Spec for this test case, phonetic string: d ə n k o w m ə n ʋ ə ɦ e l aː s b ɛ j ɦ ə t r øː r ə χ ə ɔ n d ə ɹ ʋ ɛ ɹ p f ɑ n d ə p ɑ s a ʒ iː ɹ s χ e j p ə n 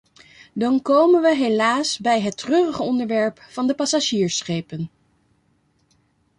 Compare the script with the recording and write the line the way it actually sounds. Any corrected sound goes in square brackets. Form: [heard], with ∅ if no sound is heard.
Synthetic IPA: d [ɑ] n k o w m ə n ʋ ə ɦ e l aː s b ɛ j ɦ ə t r øː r ə χ ə ɔ n d ə ɹ ʋ ɛ ɹ p f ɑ n d ə p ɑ s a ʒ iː ɹ s χ e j p ə n